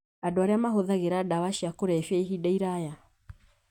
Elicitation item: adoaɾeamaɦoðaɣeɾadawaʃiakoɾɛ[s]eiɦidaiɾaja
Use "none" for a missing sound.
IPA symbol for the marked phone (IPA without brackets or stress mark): f